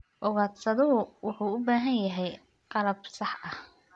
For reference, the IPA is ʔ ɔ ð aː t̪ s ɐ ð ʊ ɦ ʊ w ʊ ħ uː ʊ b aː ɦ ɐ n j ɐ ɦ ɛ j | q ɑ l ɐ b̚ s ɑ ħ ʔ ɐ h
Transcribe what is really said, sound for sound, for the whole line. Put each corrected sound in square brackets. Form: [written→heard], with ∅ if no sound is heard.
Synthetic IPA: ʔ ɔ [ð→ɣ] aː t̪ s ɐ ð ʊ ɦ ʊ w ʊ ħ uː ʊ b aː ɦ ɐ n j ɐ ɦ ɛ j | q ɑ l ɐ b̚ s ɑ ħ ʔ ɐ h